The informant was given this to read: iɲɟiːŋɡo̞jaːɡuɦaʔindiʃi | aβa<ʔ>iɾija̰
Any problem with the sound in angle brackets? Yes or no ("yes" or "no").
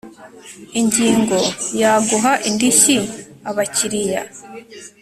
yes